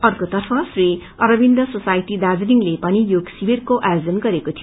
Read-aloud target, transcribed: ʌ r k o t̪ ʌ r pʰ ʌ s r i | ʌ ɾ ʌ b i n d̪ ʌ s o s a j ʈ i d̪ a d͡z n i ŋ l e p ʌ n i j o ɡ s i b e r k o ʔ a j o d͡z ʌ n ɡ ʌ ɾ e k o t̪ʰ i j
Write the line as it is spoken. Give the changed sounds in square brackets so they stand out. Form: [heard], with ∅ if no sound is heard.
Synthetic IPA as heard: ʌ r k o t̪ ʌ r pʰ ʌ s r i | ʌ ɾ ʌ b i n d̪ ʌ s o s a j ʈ i d̪ a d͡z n i ŋ l e p ʌ n i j o ɡ s i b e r k o ʔ a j o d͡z ʌ n ɡ ʌ ɾ e k o t̪ʰ i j

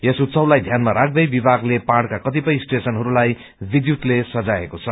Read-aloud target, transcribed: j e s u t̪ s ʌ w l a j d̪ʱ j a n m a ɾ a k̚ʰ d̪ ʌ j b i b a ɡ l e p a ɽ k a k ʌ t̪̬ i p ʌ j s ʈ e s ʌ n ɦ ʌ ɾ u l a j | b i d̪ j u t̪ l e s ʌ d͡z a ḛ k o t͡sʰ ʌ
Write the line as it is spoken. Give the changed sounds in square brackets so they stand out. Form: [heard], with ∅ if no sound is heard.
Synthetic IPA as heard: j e s u t̪ s ʌ w l a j d̪ʱ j a n m a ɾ a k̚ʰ d̪ ʌ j b i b a ɡ l e p a ɽ k a k ʌ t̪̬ i p ʌ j s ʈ e s ʌ n ɦ ʌ ɾ u l a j | b i d̪ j u t̪ l e s ʌ d͡z a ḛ k o t͡sʰ ʌ

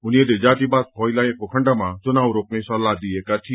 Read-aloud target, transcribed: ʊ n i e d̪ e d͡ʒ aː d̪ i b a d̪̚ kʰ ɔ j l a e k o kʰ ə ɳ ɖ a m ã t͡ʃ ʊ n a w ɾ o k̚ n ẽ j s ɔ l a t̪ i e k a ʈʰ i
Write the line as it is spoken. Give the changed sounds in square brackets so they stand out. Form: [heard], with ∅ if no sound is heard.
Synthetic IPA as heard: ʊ n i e d̪ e d͡ʒ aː [t̪] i b a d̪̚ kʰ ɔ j l a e k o kʰ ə ɳ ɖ a m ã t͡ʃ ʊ n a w ɾ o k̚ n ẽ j s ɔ l a [d̪] i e k a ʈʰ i

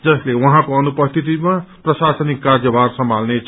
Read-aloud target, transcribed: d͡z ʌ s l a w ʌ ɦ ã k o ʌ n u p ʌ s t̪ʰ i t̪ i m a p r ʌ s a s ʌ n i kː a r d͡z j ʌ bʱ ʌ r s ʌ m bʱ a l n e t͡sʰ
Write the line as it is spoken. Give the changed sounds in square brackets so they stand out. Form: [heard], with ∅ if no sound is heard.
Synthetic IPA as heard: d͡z ʌ s l [e] w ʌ ɦ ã k o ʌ n u p ʌ s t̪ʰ i t̪ i m a p r ʌ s a s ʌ n i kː a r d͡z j ʌ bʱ [a] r s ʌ m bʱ a l n e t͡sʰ

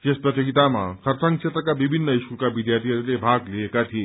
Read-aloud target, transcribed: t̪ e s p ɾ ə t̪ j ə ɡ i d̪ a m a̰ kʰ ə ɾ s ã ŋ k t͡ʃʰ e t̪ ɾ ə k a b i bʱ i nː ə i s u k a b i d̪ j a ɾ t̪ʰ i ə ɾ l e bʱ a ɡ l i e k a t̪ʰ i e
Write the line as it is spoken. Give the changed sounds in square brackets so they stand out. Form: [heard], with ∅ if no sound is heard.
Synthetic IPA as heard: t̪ e s p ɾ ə t̪ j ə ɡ i [t̪] a m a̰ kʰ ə ɾ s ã ŋ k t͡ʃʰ e t̪ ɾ ə k a b i bʱ i nː ə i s u k a b i d̪ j a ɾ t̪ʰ i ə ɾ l e bʱ a ɡ l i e k a t̪ʰ i e

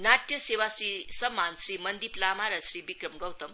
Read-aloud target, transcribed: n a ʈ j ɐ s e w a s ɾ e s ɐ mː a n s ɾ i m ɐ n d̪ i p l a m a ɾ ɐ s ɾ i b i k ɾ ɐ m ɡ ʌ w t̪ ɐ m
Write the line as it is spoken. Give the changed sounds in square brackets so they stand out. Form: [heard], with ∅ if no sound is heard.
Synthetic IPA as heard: n a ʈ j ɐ s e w a s ɾ [i] s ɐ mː a n s ɾ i m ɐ n d̪ i p l a m a ɾ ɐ s ɾ i b i k ɾ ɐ m ɡ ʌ w t̪ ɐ m

